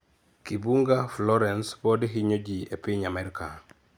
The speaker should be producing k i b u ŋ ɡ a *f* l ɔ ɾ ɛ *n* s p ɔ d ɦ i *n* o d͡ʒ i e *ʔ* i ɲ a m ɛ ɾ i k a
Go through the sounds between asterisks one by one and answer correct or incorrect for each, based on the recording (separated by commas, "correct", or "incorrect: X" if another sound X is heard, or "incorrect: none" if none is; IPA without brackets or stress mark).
correct, correct, incorrect: ɲ, incorrect: p